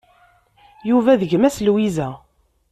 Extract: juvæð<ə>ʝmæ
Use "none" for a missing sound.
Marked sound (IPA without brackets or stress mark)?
ə